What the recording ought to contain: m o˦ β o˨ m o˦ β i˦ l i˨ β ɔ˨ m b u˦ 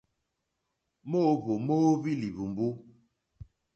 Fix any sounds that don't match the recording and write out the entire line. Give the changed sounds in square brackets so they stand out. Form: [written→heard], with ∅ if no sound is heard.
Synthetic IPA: m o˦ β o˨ m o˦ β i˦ l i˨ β [ɔ˨→u˨] m b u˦